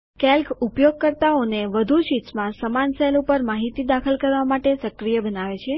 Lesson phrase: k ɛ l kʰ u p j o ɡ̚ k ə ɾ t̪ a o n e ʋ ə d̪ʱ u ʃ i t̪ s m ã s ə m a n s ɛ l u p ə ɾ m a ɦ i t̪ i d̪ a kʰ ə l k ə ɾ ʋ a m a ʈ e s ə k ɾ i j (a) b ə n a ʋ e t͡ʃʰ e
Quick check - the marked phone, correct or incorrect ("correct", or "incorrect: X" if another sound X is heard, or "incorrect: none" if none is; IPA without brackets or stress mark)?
incorrect: ə